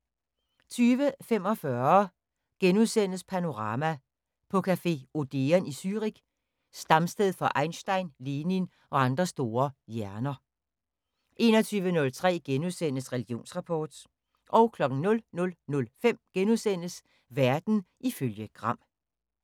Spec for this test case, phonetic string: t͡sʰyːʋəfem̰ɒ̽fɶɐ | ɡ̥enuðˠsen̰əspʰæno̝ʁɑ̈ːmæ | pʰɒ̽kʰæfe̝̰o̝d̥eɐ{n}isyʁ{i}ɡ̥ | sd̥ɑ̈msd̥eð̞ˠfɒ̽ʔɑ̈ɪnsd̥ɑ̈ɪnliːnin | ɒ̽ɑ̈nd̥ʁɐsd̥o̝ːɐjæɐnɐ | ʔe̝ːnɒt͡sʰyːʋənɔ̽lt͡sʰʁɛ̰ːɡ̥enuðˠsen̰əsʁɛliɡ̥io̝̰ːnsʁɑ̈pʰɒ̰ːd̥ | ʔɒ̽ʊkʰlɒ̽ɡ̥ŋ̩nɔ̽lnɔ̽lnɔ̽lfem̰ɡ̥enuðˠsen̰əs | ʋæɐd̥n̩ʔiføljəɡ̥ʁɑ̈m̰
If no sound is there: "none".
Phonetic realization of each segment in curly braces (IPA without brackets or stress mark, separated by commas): n, i